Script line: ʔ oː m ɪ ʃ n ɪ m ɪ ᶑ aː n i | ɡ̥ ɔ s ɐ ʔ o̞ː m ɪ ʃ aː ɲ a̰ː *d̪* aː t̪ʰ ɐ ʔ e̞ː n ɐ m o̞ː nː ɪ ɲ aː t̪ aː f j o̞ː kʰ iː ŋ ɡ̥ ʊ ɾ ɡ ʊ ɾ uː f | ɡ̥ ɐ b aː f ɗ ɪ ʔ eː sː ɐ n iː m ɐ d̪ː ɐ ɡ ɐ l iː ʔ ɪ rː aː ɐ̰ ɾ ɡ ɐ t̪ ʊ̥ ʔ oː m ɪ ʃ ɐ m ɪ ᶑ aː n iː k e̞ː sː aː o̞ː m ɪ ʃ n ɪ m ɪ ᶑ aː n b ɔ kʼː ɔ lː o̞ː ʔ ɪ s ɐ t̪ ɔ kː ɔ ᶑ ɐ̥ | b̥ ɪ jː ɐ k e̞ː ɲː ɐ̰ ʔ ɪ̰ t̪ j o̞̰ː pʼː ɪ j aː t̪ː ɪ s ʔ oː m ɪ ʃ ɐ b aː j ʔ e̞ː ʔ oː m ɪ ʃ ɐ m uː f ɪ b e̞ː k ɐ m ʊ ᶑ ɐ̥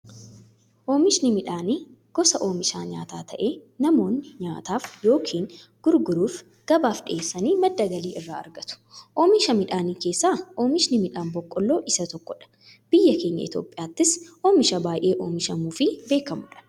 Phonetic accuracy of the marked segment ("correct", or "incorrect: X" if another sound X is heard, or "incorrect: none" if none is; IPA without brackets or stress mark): incorrect: t̪